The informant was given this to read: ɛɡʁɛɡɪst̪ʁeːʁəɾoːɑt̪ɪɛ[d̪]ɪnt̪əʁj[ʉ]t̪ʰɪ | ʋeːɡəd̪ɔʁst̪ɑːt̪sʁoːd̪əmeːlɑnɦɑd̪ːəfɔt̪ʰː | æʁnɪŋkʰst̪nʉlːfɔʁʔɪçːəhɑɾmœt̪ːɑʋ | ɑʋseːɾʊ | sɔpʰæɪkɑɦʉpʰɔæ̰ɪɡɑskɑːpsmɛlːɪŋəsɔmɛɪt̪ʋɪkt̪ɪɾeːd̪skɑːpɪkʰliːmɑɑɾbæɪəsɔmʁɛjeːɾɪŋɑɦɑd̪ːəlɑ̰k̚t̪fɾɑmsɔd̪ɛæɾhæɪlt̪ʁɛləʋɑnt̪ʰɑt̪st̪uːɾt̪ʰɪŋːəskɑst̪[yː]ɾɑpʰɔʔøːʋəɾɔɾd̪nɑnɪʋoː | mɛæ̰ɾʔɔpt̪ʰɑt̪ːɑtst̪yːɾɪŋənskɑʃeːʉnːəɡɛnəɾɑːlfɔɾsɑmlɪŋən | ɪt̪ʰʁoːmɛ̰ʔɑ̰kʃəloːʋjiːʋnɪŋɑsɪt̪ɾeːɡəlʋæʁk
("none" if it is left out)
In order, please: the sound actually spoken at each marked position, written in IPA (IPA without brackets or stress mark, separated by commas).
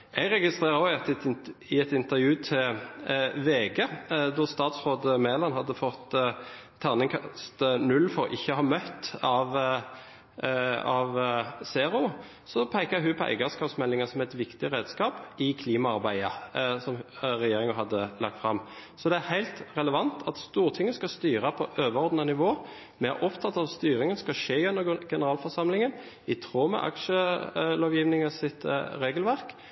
t̪, ʉː, yː